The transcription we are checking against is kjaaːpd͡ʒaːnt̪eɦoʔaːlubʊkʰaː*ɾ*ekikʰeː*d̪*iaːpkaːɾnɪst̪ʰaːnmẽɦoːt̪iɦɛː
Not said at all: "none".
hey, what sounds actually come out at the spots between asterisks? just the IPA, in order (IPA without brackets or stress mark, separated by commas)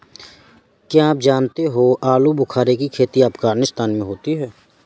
ɾ, t̪